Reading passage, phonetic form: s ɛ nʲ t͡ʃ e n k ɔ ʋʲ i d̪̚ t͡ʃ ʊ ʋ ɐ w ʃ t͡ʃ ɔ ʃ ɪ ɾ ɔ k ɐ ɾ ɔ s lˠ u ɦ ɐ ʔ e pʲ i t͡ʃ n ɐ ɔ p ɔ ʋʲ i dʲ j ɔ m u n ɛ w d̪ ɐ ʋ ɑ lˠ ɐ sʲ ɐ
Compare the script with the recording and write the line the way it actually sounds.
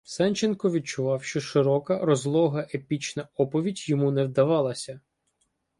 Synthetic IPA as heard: s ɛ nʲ t͡ʃ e n k ɔ ʋʲ i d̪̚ t͡ʃ ʊ ʋ ɑ w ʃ t͡ʃ ɔ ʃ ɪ ɾ ɔ k ɐ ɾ ɔ z lˠ ɔ ɦ ɐ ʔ e pʲ i t͡ʃ n ɐ ɔ p ɔ ʋʲ i dʲ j ɔ m u n ɛ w d̪ ɐ ʋ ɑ lˠ ɐ sʲ ɐ